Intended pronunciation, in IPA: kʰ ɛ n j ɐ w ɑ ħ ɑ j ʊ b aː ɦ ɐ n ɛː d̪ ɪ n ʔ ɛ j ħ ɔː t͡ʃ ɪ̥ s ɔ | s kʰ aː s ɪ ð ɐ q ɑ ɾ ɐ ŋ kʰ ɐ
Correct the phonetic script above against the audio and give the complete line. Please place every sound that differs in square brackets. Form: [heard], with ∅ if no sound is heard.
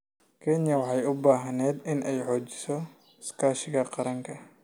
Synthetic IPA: kʰ ɛ n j ɐ w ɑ ħ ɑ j ʊ b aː ɦ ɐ n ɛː d̪ ɪ n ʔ ɛ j ħ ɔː t͡ʃ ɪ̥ s ɔ | s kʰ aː [ʃ] ɪ [ɣ] ɐ q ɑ ɾ ɐ ŋ kʰ ɐ